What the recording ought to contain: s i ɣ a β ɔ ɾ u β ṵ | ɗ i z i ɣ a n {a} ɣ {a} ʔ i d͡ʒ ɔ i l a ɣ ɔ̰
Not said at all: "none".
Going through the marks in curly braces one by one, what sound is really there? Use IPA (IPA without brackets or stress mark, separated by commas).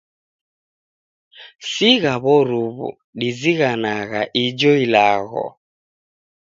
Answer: a, a